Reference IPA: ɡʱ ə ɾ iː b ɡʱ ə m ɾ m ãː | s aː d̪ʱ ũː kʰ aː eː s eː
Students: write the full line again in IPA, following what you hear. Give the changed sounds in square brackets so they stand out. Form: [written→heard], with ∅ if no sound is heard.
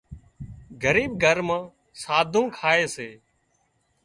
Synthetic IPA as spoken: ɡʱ ə ɾ iː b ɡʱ ə [m→∅] ɾ m ãː | s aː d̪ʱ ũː kʰ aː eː s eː